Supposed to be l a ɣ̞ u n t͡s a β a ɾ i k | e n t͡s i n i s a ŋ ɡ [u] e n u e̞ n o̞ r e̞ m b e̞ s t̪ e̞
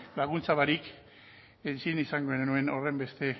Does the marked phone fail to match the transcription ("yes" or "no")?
yes